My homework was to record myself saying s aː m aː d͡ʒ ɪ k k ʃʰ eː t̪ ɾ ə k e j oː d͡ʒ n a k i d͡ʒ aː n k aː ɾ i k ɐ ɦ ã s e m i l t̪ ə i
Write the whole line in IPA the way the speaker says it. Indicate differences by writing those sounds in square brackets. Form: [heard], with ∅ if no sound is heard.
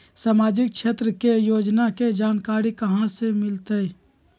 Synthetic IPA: s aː m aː d͡ʒ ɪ k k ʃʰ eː t̪ ɾ ə k e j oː d͡ʒ n a k [e] d͡ʒ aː n k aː ɾ i k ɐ ɦ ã s e m [ɪ] l t̪ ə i

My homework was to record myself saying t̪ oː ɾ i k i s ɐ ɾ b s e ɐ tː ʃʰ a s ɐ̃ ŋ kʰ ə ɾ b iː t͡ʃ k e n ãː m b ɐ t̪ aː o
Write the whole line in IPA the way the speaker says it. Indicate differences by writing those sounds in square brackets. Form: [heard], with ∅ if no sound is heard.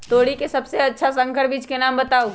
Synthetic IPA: t̪ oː [ɽ] i k [e] s ɐ [∅] b s e ɐ tː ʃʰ a s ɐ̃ ŋ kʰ ə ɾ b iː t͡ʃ k e n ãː m b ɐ t̪ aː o

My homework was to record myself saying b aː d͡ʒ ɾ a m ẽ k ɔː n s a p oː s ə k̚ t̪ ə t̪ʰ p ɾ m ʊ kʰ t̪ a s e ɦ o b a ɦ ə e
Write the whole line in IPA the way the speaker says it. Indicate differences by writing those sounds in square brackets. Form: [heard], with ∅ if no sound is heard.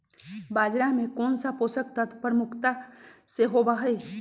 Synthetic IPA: b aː d͡ʒ ɾ a m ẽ k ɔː n s a p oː s ə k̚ t̪ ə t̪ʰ p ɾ m ʊ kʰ t̪ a s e ɦ o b a ɦ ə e

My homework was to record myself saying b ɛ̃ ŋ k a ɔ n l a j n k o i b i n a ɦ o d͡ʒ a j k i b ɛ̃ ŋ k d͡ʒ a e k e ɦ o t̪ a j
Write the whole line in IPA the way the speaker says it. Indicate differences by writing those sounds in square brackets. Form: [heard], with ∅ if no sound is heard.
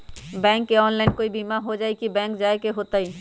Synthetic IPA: b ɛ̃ ŋ k [e] ɔ n l a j n k o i b i [m] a ɦ o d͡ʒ a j k i b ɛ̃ ŋ k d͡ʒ a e k e ɦ o t̪ a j

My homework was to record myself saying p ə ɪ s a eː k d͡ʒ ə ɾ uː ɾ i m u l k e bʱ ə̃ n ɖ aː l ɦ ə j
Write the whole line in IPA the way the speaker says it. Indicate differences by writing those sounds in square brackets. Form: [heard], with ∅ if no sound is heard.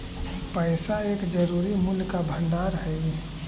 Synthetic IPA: p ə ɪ s a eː k d͡ʒ ə ɾ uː ɾ i m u l k [a] bʱ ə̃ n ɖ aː [ɾ] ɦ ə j

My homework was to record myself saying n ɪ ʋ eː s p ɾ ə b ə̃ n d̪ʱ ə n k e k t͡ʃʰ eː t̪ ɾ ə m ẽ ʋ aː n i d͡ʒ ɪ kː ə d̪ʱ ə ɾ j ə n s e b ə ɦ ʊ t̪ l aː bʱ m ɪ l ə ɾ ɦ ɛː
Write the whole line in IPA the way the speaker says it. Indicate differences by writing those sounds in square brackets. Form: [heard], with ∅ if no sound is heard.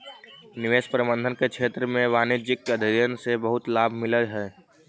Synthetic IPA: n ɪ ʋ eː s p ɾ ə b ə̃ n d̪ʱ ə n k e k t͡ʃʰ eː t̪ ɾ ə m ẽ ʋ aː n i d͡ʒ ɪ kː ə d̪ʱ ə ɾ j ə n s e b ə ɦ ʊ t̪ l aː bʱ m ɪ l ə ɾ ɦ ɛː

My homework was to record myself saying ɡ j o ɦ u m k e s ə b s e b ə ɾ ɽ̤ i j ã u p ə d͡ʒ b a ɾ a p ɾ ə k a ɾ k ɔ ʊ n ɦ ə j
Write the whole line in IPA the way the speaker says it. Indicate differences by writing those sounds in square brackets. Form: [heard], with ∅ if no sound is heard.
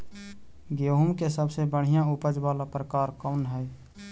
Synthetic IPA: ɡ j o ɦ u m k e s ə b s e b ə [∅] ɽ̤ i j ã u p ə d͡ʒ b a [l] a p ɾ ə k a ɾ k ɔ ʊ n ɦ ə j

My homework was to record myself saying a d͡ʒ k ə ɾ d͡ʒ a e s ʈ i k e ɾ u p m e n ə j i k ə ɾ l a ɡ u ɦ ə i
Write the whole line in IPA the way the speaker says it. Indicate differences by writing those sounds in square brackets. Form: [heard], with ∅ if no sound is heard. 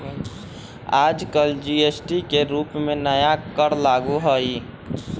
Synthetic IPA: a d͡ʒ k ə [l] d͡ʒ [i] e s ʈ i k e ɾ u p m e n ə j [a] k ə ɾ l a ɡ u ɦ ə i

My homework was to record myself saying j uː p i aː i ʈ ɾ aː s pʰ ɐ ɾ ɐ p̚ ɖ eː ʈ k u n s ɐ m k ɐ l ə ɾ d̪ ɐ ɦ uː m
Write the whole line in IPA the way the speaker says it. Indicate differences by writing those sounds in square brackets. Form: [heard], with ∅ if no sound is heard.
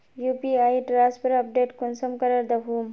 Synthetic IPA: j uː p i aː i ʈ ɾ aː s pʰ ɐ ɾ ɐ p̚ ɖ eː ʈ k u n s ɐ m k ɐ [ɾ] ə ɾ d̪ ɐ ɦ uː m

